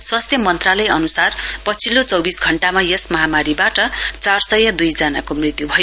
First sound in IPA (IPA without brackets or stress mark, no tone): s